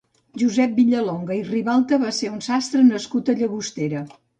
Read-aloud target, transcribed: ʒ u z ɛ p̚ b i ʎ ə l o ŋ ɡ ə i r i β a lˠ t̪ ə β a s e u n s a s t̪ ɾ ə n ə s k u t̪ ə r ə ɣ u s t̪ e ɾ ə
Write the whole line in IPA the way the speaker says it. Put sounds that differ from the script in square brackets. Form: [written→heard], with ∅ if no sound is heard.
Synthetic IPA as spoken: ʒ u z ɛ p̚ b i ʎ ə l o ŋ ɡ ə i r i β a lˠ t̪ ə β a s e u n s a s t̪ ɾ ə n ə s k u t̪ ə [r→ʎ] ə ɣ u s t̪ e ɾ ə